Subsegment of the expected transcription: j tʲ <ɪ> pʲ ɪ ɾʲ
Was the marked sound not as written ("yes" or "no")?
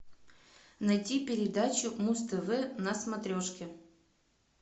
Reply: yes